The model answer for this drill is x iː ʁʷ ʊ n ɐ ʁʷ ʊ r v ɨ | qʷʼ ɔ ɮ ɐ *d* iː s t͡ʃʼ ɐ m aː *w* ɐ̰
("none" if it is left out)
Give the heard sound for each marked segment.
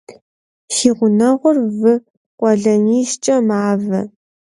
n, v

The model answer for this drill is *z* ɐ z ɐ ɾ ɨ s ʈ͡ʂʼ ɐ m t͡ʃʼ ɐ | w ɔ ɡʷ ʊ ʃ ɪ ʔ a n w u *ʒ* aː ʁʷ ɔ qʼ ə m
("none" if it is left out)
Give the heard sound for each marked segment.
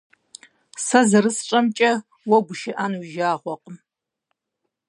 s, ʒ

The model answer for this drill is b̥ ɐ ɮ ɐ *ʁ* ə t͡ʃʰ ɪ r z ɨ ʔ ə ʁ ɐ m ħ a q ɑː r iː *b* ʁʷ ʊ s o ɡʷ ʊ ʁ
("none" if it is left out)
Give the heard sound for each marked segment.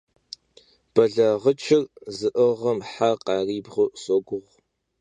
ʁ, b

